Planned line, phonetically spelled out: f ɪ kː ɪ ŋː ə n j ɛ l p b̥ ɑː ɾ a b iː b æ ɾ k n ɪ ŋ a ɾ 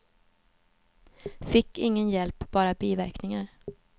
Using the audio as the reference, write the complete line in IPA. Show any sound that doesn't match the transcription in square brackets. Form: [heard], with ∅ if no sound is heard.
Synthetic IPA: f ɪ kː ɪ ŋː ə n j ɛ l p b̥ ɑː ɾ a b iː [v] æ ɾ k n ɪ ŋ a ɾ